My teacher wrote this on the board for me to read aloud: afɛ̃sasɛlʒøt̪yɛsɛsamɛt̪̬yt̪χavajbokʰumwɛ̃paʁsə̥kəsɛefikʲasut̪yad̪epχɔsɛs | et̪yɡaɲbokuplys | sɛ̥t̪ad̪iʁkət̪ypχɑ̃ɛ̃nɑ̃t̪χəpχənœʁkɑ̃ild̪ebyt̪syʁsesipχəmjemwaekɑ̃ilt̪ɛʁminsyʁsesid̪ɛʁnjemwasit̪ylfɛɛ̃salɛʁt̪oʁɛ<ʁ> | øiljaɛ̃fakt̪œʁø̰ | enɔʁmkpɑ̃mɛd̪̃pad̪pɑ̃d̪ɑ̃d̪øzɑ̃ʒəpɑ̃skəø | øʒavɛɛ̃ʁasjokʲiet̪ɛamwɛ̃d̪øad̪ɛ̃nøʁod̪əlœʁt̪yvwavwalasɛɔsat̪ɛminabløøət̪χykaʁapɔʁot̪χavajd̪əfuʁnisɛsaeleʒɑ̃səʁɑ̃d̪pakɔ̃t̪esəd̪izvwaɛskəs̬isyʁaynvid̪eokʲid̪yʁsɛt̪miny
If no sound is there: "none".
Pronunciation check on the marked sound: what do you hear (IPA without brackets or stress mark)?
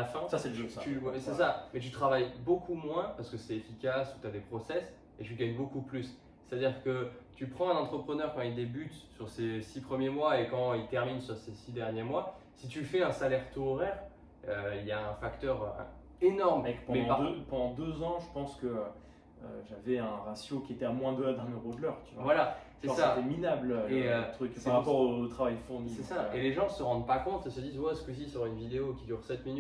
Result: ʁ